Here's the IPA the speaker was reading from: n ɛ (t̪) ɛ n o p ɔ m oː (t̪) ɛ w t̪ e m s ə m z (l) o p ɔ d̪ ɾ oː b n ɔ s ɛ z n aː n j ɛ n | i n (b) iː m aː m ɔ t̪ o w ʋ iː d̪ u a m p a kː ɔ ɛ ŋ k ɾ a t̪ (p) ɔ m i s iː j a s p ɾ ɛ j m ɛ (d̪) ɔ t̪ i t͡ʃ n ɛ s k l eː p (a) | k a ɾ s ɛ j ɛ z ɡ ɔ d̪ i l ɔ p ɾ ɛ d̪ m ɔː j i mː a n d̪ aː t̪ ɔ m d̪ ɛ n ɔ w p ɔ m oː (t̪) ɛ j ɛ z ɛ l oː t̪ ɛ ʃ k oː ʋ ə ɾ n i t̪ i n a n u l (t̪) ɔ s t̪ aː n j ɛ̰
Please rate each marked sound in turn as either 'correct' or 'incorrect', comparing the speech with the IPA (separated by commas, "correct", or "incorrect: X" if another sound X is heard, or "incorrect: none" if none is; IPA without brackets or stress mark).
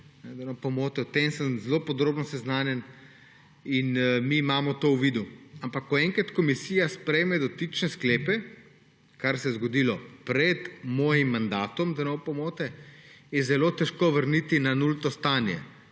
incorrect: d̪, correct, correct, incorrect: m, incorrect: k, correct, incorrect: ɛ, correct, correct